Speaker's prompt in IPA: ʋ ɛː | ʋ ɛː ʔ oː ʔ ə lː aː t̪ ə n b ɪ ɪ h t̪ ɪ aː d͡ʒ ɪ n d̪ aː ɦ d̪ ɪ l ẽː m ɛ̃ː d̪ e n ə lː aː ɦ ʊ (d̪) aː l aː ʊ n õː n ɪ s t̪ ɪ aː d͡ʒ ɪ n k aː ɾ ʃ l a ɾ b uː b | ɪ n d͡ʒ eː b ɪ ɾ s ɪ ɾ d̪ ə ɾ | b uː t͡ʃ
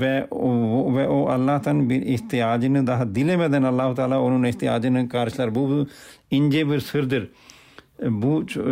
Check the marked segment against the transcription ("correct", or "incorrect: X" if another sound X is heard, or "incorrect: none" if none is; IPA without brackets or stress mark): incorrect: t̪